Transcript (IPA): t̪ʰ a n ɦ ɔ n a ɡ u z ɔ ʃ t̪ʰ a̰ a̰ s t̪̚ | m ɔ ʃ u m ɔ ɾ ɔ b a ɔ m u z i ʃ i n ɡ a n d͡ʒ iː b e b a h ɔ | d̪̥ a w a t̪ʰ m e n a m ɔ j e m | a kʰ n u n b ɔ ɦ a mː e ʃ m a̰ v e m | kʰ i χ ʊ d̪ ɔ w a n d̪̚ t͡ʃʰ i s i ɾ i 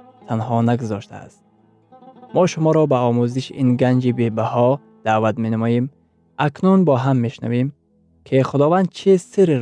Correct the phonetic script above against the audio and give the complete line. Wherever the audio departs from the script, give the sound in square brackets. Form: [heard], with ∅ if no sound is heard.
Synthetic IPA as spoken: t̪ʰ a n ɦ ɔ n a ɡ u z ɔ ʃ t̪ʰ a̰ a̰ s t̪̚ | m ɔ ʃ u m ɔ ɾ ɔ b a ɔ m u z i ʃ i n ɡ a n d͡ʒ [i] b e b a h ɔ | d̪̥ a [v] a [t̪] m e n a m ɔ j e m | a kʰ n u n b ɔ ɦ a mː e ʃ [n] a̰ v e m | kʰ i χ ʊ d̪ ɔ [v] a n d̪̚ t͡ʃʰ i s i ɾ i